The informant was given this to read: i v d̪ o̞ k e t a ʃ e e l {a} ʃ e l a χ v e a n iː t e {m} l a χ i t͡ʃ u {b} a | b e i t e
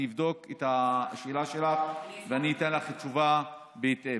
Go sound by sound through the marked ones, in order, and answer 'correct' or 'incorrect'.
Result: correct, incorrect: n, incorrect: v

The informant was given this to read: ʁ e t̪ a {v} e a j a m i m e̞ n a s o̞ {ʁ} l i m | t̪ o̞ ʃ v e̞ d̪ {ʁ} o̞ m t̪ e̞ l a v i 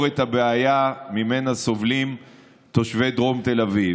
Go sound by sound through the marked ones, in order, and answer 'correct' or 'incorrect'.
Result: incorrect: b, incorrect: v, correct

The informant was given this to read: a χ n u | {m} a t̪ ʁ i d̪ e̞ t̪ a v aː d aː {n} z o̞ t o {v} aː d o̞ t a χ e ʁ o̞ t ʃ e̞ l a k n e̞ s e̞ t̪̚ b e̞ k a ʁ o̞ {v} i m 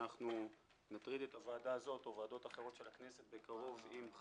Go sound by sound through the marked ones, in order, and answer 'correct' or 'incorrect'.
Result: incorrect: n, incorrect: none, correct, correct

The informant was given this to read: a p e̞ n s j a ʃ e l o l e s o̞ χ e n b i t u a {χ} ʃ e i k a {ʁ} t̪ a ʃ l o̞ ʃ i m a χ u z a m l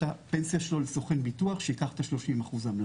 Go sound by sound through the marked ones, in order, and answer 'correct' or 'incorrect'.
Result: correct, incorrect: χ

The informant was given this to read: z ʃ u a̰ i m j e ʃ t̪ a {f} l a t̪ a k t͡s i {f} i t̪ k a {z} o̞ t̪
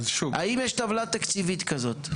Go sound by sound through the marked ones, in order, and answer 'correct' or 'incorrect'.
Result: incorrect: v, incorrect: v, correct

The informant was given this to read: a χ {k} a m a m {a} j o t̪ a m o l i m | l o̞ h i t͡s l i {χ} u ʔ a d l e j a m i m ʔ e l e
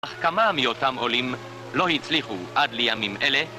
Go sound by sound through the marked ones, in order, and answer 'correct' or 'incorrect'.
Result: correct, incorrect: i, correct

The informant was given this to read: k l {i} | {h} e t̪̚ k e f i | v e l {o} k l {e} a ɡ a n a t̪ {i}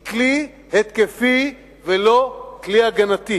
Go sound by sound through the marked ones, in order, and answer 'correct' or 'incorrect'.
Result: correct, correct, correct, incorrect: i, correct

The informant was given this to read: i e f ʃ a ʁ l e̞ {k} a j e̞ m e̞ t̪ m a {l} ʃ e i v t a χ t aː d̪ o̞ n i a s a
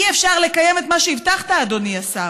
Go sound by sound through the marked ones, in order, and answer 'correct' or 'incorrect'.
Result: correct, incorrect: none

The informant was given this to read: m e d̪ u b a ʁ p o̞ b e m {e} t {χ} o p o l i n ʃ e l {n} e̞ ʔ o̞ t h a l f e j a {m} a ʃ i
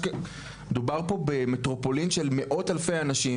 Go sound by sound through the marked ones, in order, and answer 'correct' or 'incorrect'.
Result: correct, incorrect: ʁ, incorrect: m, incorrect: n

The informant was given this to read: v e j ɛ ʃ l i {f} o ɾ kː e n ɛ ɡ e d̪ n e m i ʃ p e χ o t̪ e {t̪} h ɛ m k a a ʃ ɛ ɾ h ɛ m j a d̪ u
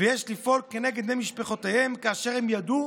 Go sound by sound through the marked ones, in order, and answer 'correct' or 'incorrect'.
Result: correct, incorrect: none

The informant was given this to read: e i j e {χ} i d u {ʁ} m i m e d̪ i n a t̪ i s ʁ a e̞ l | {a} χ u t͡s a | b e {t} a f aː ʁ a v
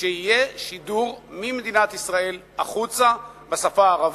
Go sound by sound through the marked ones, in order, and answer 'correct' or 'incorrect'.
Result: incorrect: ʃ, correct, correct, incorrect: s

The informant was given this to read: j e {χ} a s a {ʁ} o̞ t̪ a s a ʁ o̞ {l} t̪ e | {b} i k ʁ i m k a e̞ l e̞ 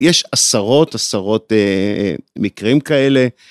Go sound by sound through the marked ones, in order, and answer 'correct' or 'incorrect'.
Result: incorrect: ʃ, correct, incorrect: none, incorrect: m

